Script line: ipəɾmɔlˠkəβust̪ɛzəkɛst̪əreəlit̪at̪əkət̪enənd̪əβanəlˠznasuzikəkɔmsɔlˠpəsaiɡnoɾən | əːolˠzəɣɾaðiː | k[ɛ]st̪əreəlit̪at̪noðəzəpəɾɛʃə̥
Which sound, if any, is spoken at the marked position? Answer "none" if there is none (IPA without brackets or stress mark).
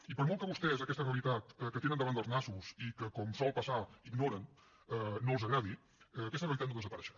ɛ